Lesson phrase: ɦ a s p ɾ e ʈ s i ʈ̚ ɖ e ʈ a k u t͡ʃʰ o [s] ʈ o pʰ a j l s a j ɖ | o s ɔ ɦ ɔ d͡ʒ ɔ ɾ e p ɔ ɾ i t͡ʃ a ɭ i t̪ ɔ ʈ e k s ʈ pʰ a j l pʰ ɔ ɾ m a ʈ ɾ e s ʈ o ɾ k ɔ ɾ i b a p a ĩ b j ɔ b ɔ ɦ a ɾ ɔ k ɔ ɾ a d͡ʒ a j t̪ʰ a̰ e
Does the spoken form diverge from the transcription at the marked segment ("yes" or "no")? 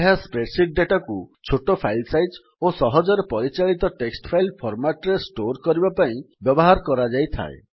yes